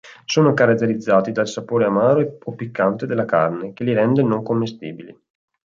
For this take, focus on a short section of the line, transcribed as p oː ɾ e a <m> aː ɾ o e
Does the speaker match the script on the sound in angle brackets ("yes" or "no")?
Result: yes